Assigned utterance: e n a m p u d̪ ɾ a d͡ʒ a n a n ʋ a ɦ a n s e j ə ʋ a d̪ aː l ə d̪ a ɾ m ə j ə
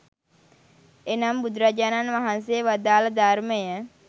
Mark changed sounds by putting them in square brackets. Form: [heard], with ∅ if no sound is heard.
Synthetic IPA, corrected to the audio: e n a m [b] u d̪ ɾ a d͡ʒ a n a n ʋ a ɦ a n s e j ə ʋ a d̪ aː l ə d̪ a ɾ m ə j ə